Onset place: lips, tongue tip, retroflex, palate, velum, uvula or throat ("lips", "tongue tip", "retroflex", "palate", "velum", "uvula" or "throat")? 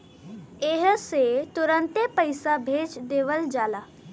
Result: throat